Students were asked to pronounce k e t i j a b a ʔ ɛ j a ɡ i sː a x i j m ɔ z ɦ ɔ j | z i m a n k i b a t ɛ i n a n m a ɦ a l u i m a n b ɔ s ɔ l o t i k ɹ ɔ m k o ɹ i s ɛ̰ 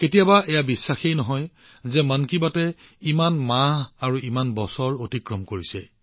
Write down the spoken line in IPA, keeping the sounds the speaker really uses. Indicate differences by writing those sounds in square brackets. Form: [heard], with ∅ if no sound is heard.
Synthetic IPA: k e t i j a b a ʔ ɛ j a [b] i sː a x [e] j [n] ɔ [∅] ɦ ɔ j | z [ɛ] m a n k i b a t ɛ i [m] a n m a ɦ a [ɹ] u i m a n b ɔ s ɔ [ɹ] o t i k ɹ ɔ m k o ɹ i s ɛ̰